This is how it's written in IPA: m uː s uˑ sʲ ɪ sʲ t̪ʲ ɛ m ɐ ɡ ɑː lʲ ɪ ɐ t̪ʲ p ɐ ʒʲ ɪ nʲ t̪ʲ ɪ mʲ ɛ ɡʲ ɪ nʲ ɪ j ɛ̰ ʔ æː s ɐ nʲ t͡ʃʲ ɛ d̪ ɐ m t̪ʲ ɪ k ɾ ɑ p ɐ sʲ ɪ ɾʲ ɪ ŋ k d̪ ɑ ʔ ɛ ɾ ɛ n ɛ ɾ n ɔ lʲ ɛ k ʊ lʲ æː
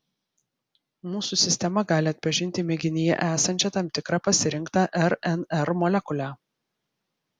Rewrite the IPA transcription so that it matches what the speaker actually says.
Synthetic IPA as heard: m uː s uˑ sʲ ɪ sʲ t̪ʲ ɛ m ɐ ɡ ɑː lʲ ɪ ɐ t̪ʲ p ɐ ʒʲ ɪ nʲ t̪ʲ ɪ mʲ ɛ ɡʲ ɪ nʲ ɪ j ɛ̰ ʔ æː s ɐ nʲ t͡ʃʲ ɛ t̪ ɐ m t̪ʲ ɪ k ɾ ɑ p ɐ sʲ ɪ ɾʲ ɪ ŋ k t̪ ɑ ʔ ɛ ɾ ɛ n ɛ ɾ m ɔ lʲ ɛ k ʊ lʲ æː